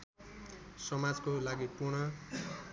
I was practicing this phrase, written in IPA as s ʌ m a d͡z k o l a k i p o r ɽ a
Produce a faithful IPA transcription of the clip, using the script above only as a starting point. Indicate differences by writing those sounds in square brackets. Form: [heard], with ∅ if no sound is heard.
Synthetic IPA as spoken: s ʌ m a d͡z k o l a [ɡ] i p [u] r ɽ [ʌ]